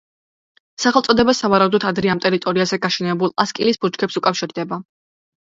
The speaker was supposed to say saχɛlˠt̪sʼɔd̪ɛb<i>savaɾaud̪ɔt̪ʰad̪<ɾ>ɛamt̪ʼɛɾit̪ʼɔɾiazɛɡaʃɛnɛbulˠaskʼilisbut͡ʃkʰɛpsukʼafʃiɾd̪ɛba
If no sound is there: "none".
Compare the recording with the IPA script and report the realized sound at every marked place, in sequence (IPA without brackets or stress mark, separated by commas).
a, ɾ